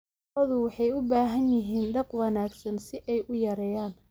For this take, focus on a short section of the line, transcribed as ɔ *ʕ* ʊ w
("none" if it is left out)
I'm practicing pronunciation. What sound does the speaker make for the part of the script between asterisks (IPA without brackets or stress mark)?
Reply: ð